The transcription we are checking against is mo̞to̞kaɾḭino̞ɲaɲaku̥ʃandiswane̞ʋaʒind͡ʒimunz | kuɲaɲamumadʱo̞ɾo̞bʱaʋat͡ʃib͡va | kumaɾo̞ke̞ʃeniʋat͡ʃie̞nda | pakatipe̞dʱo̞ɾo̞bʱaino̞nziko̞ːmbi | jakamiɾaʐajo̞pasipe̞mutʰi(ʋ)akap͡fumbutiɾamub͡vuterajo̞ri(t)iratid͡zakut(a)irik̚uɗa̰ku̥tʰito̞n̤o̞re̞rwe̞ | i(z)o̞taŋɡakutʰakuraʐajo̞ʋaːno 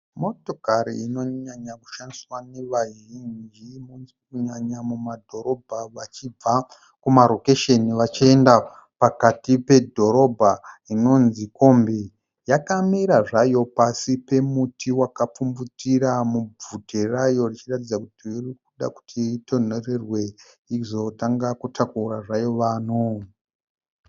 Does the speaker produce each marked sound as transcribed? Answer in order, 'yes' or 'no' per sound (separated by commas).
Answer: no, no, no, yes